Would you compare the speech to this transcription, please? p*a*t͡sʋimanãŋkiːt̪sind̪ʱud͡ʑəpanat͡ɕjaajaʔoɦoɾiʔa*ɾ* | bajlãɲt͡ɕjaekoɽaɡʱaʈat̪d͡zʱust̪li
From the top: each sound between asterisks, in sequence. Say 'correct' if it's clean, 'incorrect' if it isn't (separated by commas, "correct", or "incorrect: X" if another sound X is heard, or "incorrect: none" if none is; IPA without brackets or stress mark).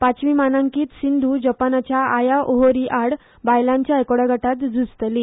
correct, incorrect: ɽ